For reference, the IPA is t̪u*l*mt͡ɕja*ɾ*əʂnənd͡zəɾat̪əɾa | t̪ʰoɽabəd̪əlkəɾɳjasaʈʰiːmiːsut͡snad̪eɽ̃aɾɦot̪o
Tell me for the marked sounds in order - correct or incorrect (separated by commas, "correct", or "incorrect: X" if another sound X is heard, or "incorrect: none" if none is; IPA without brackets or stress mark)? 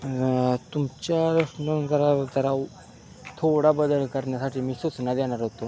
incorrect: none, correct